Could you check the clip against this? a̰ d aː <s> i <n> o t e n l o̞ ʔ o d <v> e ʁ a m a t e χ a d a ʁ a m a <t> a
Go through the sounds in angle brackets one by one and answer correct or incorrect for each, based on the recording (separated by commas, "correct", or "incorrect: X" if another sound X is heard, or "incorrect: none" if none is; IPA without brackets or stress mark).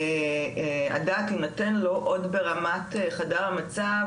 incorrect: t, correct, incorrect: b, incorrect: t͡s